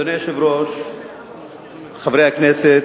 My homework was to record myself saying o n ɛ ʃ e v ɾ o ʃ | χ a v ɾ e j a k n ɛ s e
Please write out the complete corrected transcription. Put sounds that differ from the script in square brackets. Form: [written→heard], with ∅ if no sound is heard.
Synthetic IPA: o n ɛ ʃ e v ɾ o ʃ | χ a v ɾ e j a k n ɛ s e